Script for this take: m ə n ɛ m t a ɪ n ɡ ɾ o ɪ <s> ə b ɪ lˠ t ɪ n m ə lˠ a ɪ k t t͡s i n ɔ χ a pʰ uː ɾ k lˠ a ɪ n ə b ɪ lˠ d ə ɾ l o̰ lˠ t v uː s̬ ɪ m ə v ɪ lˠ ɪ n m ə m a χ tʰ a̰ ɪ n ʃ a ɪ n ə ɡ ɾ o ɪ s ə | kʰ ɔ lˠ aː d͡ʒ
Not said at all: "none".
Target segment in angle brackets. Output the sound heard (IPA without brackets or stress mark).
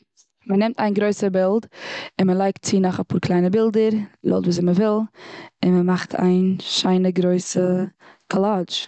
s